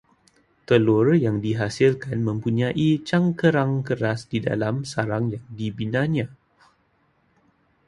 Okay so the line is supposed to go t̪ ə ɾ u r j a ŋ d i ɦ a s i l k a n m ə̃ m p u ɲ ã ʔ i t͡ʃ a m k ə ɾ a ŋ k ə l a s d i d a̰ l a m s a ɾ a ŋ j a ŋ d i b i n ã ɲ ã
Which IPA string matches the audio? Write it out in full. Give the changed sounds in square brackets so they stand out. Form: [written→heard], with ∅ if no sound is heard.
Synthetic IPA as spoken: t̪ ə [ɾ→l] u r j a ŋ d i ɦ a s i l k a n m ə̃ m p u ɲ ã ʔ i t͡ʃ a [m→ŋ] k ə ɾ a ŋ k ə [l→ɾ] a s d i d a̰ l a m s a ɾ a ŋ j a ŋ d i b i n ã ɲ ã